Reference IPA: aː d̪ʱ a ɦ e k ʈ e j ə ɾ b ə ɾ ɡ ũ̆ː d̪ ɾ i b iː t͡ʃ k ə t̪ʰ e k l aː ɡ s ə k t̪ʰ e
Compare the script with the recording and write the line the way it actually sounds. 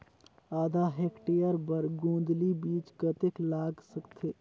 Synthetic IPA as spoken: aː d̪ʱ a ɦ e k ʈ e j ə ɾ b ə ɾ ɡ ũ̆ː d̪ l i b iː t͡ʃ k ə t̪ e k l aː ɡ s ə k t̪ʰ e